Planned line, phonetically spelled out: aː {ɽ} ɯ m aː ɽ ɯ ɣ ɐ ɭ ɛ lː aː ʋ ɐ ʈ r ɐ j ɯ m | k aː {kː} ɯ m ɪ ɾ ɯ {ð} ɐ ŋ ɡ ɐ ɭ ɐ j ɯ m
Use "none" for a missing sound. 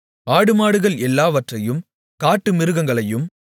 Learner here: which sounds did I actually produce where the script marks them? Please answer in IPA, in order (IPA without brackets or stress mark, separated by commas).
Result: ɽ, ʈː, ɣ